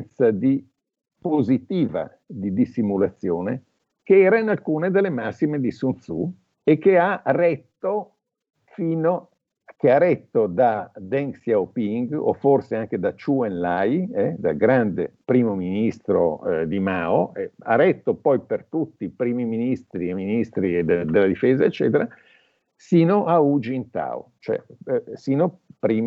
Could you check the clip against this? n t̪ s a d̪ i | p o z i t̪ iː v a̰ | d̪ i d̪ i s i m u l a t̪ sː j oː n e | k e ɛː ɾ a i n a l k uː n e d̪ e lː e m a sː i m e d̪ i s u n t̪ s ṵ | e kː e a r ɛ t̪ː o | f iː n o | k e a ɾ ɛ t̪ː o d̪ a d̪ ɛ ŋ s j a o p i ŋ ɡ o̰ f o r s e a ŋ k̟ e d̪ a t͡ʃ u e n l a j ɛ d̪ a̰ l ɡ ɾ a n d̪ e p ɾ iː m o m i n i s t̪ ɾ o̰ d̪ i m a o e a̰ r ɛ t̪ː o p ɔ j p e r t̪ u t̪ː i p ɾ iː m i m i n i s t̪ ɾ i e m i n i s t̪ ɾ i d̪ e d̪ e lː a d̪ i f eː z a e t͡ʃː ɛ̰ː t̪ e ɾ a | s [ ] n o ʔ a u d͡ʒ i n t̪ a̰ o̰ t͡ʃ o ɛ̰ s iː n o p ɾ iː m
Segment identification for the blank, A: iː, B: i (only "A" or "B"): A